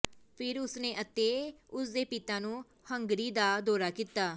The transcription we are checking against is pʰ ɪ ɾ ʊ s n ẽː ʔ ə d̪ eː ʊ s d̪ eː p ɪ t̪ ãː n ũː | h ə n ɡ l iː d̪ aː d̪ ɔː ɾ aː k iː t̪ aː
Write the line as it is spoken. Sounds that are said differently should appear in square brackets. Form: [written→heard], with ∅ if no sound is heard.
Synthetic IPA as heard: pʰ ɪ ɾ ʊ s n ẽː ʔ ə [d̪→t̪] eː ʊ s d̪ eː p ɪ t̪ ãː n ũː | h ə [n→ŋ] ɡ [l→ɾ] iː d̪ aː d̪ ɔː ɾ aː k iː t̪ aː